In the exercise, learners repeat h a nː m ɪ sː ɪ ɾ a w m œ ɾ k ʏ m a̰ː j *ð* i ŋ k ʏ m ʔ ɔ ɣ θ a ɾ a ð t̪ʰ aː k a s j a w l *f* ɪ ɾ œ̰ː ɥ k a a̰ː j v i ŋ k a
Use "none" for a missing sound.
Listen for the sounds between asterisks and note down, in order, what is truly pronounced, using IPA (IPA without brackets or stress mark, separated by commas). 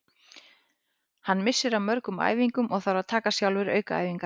v, v